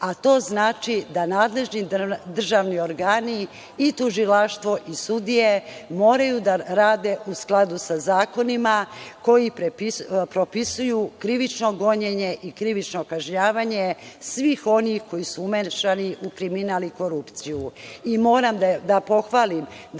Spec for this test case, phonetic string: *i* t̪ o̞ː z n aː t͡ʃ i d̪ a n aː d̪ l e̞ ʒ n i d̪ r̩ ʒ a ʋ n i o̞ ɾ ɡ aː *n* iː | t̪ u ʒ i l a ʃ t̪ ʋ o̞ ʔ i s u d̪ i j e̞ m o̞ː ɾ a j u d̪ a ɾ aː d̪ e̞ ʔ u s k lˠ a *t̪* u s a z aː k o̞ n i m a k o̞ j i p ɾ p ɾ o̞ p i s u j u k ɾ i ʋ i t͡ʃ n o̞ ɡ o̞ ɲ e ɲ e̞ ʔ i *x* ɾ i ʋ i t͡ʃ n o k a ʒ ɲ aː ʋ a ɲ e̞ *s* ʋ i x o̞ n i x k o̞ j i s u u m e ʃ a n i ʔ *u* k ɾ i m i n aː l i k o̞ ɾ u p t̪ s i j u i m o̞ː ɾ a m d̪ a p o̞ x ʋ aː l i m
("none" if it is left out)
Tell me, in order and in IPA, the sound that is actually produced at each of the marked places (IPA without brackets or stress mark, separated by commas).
a, n, d̪, k, s, u